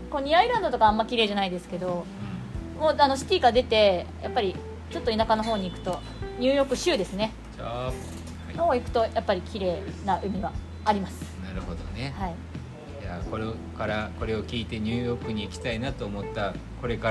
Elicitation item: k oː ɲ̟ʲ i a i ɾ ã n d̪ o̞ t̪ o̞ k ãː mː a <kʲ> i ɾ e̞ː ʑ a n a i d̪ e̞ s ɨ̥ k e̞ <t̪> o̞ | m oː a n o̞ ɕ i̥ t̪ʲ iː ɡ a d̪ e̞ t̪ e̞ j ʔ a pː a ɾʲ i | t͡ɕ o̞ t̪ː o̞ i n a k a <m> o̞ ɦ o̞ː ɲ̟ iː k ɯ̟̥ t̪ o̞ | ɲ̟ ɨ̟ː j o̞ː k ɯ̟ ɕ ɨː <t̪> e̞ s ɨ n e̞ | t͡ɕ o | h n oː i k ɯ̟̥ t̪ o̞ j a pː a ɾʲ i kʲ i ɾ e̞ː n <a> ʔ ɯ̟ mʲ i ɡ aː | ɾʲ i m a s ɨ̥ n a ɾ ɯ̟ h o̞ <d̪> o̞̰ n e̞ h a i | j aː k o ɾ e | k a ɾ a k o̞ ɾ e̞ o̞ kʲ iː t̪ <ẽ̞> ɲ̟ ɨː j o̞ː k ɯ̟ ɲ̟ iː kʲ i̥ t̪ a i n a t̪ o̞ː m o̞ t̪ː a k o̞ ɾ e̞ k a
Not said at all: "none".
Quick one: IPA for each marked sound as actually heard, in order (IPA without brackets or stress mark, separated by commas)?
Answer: kʲ, d̪, n, d̪, a, d̪, e̞